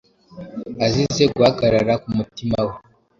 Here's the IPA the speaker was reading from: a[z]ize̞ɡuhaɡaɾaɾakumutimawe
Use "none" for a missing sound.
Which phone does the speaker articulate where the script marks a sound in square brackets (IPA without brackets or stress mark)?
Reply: z